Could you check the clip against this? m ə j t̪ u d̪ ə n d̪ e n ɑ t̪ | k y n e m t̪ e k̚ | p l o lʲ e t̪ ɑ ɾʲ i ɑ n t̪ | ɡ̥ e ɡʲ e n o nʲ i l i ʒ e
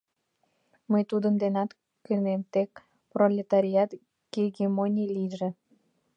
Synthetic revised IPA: m ə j t̪ u d̪ ə n d̪ e n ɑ t̪ | k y n e m t̪ e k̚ | p r o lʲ e t̪ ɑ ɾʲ i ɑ t̪ | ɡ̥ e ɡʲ e m o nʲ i l i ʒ e